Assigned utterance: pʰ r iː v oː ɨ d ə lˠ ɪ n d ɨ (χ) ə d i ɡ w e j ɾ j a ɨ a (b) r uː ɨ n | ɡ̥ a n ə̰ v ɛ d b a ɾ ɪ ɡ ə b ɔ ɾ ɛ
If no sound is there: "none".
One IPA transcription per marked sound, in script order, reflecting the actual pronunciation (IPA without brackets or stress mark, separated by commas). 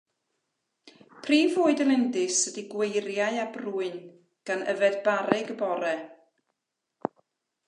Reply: s, b